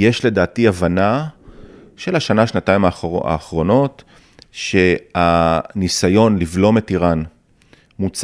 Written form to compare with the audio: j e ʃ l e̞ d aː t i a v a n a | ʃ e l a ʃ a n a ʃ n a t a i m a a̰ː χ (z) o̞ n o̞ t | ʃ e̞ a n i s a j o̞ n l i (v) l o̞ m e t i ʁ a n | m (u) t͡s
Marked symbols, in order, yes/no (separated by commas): no, yes, yes